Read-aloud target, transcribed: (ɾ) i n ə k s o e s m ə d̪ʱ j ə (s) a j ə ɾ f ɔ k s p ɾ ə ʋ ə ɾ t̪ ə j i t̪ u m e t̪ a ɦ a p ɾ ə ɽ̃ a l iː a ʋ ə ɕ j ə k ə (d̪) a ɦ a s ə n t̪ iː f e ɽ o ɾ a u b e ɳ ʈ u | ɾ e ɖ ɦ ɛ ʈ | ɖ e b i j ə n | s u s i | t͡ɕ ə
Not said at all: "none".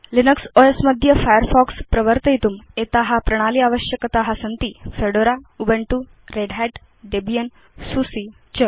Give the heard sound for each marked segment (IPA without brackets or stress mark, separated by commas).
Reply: l, f, t̪